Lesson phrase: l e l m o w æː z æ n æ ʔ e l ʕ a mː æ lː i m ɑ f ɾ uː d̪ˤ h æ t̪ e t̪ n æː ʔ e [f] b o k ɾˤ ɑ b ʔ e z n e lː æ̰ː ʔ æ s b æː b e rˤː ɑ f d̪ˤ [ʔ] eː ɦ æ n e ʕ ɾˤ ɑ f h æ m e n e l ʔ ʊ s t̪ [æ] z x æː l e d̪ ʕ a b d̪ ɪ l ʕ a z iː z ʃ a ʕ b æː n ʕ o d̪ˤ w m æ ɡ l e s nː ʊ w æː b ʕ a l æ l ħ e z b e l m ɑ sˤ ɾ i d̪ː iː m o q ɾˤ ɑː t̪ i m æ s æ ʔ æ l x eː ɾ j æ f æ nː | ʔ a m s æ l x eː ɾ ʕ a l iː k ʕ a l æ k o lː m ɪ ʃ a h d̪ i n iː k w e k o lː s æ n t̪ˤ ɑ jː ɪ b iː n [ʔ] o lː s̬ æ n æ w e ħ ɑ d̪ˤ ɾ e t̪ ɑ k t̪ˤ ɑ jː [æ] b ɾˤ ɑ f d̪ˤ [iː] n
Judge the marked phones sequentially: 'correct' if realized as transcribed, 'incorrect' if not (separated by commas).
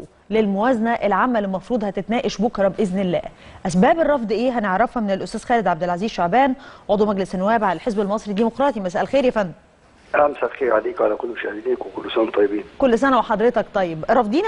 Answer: incorrect, correct, incorrect, incorrect, incorrect, correct